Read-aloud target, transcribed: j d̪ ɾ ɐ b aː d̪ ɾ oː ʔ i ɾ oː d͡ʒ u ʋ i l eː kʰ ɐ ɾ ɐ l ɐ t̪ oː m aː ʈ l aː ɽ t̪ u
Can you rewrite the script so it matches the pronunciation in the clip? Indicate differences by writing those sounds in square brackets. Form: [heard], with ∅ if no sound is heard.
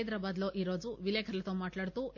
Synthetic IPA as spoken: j d̪ ɾ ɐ b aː d̪ [l] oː ʔ i ɾ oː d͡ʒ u ʋ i l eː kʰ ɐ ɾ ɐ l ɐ t̪ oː m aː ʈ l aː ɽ t̪ u